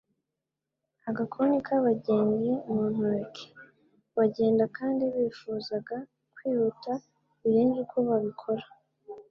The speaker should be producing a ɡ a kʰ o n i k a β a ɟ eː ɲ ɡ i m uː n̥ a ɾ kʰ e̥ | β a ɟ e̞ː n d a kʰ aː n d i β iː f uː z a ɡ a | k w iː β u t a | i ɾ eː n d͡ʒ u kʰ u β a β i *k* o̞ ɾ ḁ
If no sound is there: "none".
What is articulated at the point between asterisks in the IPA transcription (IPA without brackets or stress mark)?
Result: kʰ